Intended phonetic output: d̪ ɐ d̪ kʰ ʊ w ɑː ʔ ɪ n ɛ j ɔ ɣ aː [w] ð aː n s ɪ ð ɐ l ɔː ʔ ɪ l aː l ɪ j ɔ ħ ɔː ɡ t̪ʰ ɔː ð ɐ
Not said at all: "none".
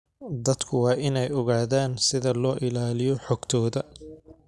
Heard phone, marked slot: none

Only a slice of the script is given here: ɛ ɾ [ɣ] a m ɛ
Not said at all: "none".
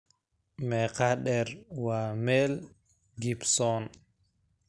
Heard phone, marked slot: w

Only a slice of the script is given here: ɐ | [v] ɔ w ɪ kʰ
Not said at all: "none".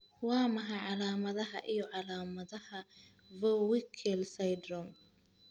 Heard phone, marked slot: v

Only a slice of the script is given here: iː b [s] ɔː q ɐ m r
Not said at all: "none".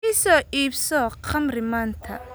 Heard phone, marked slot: s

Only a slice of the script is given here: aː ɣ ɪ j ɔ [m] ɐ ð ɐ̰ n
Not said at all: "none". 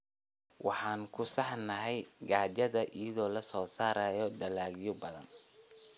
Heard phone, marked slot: b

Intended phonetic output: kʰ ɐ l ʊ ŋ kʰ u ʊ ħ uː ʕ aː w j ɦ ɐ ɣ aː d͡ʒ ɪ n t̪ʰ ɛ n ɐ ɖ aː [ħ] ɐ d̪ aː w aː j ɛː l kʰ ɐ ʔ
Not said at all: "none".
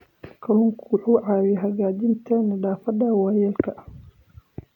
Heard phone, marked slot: f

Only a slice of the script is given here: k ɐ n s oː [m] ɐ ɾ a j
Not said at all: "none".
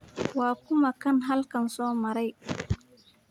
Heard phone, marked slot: m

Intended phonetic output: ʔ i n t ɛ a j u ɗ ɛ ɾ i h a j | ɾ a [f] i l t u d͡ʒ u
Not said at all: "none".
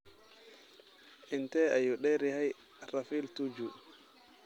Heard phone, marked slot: f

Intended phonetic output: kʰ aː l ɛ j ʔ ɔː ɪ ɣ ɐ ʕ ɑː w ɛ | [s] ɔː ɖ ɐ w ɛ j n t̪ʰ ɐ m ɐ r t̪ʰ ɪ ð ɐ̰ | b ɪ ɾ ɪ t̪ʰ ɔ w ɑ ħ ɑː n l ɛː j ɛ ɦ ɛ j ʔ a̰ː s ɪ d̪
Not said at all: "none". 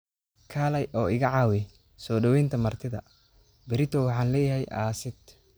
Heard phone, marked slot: s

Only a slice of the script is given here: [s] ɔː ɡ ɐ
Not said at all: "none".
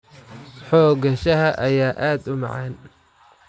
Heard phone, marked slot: ħ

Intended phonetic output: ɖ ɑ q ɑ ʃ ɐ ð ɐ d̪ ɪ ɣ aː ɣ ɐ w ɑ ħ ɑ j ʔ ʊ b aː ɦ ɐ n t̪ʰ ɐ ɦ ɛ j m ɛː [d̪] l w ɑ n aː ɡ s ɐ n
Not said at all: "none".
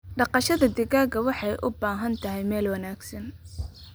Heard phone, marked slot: none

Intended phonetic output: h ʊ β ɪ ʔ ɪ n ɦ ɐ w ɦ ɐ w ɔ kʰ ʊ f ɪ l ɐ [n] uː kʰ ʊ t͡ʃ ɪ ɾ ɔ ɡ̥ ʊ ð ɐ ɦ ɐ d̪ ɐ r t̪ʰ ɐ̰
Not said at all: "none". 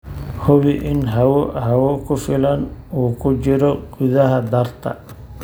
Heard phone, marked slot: n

